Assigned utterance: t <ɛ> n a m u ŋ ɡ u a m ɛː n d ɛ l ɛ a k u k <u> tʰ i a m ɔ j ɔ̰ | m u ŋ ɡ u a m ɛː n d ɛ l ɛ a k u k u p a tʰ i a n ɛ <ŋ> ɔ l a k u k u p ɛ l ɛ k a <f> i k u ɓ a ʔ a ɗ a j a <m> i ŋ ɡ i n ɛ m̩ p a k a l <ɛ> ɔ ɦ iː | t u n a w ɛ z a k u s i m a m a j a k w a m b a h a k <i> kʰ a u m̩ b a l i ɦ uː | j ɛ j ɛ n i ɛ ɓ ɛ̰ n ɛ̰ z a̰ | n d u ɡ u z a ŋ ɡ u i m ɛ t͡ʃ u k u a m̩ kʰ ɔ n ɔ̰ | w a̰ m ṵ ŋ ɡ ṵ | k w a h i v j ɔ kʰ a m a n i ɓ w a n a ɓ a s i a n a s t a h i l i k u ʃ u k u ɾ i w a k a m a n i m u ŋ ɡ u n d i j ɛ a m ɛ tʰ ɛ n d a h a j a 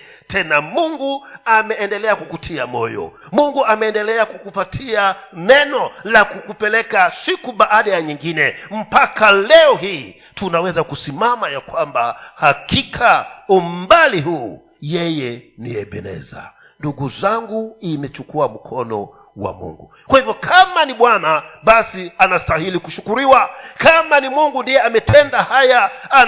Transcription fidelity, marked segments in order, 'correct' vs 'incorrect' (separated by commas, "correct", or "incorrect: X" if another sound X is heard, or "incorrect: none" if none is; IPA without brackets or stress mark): correct, correct, incorrect: n, incorrect: s, incorrect: ɲ, correct, correct